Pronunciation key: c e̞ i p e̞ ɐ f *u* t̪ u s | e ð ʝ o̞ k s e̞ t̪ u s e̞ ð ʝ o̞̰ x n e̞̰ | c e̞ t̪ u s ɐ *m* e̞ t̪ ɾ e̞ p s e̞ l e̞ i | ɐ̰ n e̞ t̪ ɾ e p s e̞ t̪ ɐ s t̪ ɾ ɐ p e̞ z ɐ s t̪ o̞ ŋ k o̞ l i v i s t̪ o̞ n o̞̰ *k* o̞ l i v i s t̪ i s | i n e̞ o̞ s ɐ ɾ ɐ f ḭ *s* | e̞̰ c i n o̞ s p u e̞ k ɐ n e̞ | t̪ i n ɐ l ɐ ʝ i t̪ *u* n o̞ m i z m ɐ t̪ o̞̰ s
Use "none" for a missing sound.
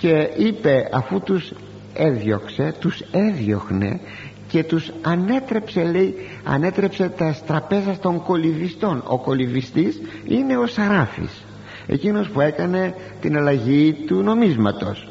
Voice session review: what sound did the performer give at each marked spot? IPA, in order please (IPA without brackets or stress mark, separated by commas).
u, n, k, s, u